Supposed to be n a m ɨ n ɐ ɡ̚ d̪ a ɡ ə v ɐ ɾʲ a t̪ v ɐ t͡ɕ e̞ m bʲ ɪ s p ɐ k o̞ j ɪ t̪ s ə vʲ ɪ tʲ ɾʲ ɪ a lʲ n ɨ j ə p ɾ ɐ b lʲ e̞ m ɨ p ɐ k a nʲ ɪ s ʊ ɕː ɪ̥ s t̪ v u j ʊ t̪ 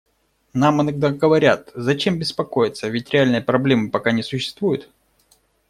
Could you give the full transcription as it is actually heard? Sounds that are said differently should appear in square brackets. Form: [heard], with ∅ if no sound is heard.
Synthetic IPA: n a m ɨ n ɐ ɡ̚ d̪ a ɡ ə v ɐ ɾʲ a t̪ [z] ɐ t͡ɕ e̞ m bʲ ɪ s p ɐ k o̞ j ɪ t̪ s ə vʲ ɪ tʲ ɾʲ ɪ a lʲ n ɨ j ə p ɾ ɐ b lʲ e̞ m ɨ p ɐ k a nʲ ɪ s ʊ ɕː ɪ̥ s t̪ v u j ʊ t̪